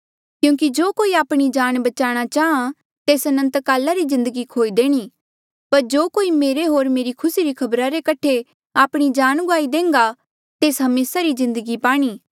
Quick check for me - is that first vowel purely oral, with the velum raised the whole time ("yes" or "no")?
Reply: no